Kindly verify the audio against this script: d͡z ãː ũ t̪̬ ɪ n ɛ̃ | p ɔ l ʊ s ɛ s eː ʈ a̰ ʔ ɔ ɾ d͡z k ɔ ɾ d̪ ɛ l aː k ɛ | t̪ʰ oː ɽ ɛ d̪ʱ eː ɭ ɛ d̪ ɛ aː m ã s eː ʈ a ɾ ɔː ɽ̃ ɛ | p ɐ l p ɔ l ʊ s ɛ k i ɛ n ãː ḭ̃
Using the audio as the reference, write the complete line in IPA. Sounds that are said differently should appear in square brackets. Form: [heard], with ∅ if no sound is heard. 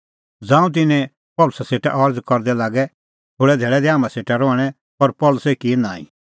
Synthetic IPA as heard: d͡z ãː ũ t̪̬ ɪ n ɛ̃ | p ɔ l ʊ s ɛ s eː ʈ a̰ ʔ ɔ ɾ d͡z k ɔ ɾ d̪ ɛ l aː [ɡ] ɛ | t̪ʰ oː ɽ ɛ d̪ʱ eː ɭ ɛ d̪ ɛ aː m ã s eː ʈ a ɾ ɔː ɽ̃ ɛ | p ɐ [ɾ] p ɔ l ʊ s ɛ k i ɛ n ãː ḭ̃